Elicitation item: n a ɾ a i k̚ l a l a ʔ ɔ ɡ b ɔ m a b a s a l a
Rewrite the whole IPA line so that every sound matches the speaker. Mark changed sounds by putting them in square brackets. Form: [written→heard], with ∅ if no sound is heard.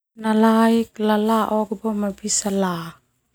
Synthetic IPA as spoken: n a [ɾ→l] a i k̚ l a l a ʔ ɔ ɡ b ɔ m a b [a→i] s a l a